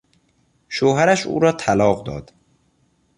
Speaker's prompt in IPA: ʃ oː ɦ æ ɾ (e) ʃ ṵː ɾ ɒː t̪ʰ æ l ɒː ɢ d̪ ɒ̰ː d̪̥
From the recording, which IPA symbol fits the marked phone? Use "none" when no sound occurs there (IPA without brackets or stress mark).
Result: æ